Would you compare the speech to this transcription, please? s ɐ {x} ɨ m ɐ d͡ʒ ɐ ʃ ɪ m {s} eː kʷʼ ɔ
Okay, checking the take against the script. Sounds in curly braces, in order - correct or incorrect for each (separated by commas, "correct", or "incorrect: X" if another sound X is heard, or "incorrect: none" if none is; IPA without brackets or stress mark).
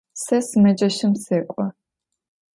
incorrect: s, correct